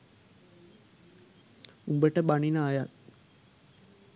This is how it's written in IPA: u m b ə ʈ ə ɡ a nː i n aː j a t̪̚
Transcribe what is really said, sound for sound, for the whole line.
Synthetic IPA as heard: u m b ə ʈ ə b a n i n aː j a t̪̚